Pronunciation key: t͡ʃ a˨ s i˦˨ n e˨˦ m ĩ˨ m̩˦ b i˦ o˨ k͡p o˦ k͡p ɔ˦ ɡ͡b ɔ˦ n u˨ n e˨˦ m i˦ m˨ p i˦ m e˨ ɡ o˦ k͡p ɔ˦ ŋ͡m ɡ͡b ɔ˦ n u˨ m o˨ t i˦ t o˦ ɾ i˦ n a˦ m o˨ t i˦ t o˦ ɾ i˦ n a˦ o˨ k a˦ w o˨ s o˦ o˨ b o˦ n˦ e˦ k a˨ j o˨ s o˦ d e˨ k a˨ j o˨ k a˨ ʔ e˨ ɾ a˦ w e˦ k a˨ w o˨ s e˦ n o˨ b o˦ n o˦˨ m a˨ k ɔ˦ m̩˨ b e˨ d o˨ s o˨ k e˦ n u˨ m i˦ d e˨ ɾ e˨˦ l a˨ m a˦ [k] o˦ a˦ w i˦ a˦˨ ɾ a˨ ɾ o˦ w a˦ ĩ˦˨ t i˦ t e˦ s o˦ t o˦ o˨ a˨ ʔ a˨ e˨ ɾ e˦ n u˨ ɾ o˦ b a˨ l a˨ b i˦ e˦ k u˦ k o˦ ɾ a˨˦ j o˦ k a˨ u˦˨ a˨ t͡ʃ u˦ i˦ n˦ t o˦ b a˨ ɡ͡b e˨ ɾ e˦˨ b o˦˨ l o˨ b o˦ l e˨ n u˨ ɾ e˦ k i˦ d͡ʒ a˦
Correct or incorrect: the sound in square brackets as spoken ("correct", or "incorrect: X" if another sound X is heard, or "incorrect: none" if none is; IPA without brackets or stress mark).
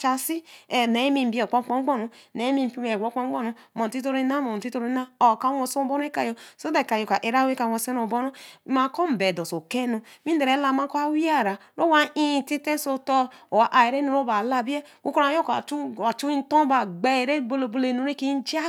correct